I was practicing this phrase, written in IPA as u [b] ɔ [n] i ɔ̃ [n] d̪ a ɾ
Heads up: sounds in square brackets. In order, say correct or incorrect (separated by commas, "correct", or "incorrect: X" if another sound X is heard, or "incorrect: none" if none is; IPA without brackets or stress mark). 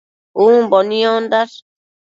correct, correct, correct